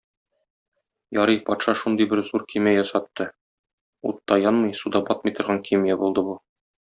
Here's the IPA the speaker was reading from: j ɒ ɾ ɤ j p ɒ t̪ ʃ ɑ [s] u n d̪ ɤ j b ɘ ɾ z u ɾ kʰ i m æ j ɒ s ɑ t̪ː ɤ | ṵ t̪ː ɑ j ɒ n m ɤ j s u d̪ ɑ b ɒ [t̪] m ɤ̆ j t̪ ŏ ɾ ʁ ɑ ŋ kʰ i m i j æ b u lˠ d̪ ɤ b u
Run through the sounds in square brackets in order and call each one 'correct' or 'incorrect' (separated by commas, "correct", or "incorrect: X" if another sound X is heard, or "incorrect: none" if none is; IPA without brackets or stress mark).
incorrect: ʃ, correct